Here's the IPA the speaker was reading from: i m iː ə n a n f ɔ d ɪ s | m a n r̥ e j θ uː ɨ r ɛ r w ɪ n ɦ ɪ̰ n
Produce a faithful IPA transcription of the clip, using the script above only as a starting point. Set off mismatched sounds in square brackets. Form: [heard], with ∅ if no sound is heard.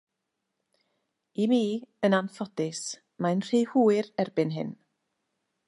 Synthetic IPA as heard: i m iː ə n a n f ɔ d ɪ s | m a n r̥ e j [h] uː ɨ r ɛ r [b] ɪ n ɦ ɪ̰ n